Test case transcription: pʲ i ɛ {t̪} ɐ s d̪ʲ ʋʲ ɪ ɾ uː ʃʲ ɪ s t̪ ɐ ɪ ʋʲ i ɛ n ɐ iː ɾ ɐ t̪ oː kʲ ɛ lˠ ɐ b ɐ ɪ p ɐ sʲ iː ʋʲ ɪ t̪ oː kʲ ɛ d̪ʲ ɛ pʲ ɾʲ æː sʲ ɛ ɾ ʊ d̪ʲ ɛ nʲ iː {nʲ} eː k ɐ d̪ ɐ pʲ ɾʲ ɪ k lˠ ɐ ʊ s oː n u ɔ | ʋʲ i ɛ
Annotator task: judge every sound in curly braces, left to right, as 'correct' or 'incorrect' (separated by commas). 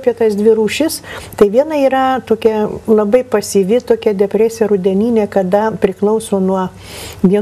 correct, correct